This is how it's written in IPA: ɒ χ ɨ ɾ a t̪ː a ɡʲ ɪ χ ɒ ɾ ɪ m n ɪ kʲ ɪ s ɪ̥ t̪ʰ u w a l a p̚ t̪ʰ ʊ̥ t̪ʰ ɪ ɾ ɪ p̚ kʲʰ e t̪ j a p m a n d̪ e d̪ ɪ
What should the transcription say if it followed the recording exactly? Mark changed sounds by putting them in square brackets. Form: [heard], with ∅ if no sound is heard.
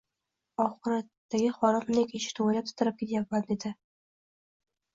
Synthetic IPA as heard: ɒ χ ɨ ɾ a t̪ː a ɡʲ ɪ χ ɒ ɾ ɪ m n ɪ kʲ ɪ [ʃ] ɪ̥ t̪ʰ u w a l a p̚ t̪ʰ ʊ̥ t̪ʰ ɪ ɾ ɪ p̚ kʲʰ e t̪ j a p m a n d̪ e d̪ ɪ